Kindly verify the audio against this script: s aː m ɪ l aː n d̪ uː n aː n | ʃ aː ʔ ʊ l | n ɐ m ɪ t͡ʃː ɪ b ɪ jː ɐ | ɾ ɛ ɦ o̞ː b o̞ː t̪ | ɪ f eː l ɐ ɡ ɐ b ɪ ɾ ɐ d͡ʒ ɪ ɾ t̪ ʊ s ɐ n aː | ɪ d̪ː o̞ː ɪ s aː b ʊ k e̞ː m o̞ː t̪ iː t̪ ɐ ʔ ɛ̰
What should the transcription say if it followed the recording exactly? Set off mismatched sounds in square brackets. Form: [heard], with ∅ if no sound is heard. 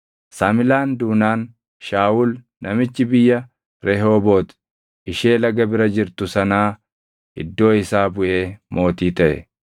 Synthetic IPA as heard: s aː m ɪ l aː n d̪ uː n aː n | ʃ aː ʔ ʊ l | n ɐ m ɪ t͡ʃː ɪ b ɪ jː ɐ | ɾ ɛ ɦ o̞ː b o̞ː t̪ | ɪ [ʃ] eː l ɐ ɡ ɐ b ɪ ɾ ɐ d͡ʒ ɪ ɾ t̪ ʊ s ɐ n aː | ɪ d̪ː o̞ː ɪ s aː b ʊ [ʔ] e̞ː m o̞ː t̪ iː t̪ ɐ ʔ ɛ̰